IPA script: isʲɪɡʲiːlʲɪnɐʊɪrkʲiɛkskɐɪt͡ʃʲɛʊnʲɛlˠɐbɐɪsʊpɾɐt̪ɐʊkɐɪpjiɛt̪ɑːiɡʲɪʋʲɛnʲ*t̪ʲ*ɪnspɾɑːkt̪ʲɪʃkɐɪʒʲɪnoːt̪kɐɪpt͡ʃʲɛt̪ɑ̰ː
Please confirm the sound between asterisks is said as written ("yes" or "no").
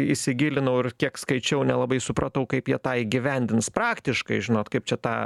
no